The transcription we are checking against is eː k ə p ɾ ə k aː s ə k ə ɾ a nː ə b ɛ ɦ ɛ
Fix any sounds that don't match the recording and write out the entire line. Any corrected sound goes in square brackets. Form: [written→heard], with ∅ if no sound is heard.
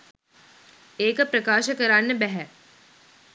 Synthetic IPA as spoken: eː k ə p ɾ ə k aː [s→ʃ] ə k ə ɾ a nː ə b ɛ ɦ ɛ

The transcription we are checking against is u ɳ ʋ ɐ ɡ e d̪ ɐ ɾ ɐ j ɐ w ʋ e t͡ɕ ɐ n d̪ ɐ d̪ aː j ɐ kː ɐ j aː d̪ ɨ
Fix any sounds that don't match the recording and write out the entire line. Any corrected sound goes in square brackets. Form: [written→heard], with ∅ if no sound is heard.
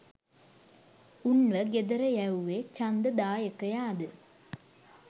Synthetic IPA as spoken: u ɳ ʋ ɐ ɡ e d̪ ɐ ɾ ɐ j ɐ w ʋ e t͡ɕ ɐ n d̪ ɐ d̪ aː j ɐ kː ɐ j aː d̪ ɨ

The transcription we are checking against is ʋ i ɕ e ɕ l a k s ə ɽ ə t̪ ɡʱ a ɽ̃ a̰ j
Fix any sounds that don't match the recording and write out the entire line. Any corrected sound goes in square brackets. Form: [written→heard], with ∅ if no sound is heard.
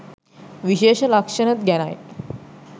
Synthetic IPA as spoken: ʋ i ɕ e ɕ l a k [s→ʂ] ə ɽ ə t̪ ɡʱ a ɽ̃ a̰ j

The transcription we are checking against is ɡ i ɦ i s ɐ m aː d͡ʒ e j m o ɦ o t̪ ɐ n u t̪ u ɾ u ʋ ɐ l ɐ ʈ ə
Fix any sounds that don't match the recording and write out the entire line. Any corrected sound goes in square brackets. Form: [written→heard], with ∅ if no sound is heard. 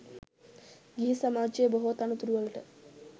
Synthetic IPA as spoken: ɡ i ɦ i s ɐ m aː d͡ʒ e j [m→b] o ɦ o t̪ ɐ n u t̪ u ɾ u ʋ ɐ l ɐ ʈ ə

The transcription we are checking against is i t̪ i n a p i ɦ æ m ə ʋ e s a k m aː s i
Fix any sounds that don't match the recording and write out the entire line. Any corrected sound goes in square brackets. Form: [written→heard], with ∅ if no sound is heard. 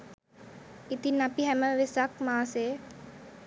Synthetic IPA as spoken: i t̪ i n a p i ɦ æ m ə ʋ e s a k m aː s [i→e]

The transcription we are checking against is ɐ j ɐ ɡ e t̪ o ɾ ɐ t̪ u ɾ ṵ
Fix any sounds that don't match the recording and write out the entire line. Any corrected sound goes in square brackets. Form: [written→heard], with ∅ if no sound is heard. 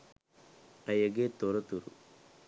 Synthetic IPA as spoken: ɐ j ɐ ɡ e t̪ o ɾ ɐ t̪ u ɾ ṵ

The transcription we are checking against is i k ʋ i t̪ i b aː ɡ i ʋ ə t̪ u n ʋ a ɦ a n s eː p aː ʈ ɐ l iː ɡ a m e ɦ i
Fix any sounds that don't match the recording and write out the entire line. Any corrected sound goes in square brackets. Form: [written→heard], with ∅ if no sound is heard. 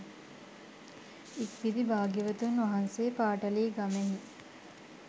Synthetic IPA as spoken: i k ʋ i [t̪→d̪] i b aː ɡ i ʋ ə t̪ u n ʋ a ɦ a n s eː p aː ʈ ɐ l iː ɡ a m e ɦ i

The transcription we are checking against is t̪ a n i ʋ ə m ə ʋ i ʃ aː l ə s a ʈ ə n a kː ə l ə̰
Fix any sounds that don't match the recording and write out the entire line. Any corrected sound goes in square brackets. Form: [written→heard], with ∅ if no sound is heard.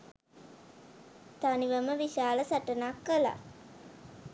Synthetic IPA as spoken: t̪ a n i ʋ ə m ə ʋ i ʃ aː l ə s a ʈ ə n a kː ə l [ə̰→a̰]

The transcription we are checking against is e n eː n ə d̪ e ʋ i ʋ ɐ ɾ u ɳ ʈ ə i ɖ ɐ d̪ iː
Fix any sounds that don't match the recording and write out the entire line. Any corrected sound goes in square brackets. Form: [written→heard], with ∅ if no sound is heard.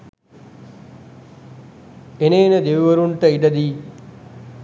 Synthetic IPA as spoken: e n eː n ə d̪ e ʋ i ʋ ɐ ɾ u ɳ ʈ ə i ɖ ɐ d̪ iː

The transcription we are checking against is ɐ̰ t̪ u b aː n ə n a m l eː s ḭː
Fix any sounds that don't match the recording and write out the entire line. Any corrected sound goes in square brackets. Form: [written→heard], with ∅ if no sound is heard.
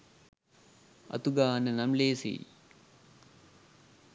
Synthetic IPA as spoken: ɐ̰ t̪ u [b→ɡ] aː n ə n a m l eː s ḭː

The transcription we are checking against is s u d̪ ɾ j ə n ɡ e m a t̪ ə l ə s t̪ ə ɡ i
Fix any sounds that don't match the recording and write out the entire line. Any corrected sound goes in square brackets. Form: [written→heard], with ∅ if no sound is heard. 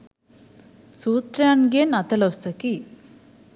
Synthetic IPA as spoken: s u [d̪→t̪] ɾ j [ə→a] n ɡ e [m→n] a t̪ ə l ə s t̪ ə [ɡ→k] i

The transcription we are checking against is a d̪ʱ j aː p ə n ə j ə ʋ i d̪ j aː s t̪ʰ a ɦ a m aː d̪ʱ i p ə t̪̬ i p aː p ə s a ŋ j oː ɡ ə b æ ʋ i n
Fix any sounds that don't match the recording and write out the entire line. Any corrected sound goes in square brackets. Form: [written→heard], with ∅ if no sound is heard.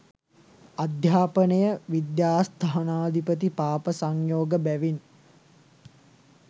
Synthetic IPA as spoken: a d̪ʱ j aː p ə n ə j ə ʋ i d̪ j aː s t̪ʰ a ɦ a [m→n] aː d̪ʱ i p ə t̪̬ i p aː p ə s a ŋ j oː ɡ ə b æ ʋ i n

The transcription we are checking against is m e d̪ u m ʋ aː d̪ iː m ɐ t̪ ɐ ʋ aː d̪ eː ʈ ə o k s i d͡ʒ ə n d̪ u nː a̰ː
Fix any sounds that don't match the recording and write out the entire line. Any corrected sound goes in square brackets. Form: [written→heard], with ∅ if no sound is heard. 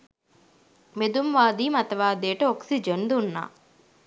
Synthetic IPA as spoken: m e d̪ u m ʋ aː d̪ iː m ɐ t̪ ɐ ʋ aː d̪ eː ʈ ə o k s i d͡ʒ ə n d̪ u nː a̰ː

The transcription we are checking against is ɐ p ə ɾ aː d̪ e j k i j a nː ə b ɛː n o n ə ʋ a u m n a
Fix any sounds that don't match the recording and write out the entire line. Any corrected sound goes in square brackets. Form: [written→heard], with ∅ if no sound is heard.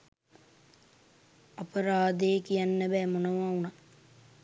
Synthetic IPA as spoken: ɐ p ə ɾ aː d̪ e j k i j a nː ə b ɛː [n→m] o n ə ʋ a u [m→∅] n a

